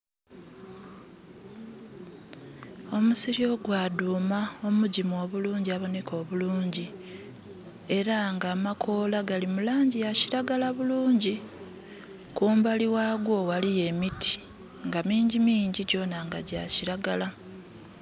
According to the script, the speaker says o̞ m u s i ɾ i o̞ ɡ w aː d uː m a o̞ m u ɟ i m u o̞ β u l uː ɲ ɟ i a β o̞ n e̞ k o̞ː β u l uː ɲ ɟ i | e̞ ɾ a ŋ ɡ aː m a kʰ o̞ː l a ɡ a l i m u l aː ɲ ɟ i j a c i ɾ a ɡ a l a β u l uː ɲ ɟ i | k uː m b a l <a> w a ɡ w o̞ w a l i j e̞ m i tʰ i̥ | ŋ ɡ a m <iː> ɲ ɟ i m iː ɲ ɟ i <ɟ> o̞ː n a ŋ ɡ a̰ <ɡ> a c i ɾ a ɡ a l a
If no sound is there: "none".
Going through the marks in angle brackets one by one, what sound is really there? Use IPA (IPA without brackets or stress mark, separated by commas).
i, iː, ɟ, ɟ